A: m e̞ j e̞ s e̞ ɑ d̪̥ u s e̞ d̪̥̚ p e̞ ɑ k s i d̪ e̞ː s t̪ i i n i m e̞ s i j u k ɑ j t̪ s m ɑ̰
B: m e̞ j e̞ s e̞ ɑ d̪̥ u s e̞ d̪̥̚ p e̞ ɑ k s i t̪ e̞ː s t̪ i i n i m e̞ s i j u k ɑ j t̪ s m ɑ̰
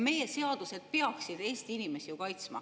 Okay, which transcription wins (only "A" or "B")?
A